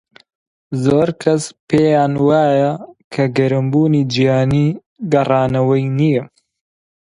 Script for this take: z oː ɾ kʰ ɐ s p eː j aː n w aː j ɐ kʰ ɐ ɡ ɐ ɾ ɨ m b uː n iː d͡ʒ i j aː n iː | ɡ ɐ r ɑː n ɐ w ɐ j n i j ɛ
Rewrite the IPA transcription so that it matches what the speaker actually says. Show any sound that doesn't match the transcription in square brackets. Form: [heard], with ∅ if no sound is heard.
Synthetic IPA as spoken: z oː ɾ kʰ ɐ s p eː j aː n w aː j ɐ kʰ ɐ ɡ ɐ ɾ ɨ m b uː n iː d͡ʒ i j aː n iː | ɡ ɐ r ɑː n ɐ w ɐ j n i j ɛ